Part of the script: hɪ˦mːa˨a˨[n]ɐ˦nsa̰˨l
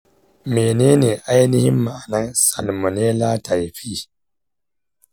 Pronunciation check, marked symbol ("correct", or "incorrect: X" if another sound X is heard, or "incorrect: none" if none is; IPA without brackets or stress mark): correct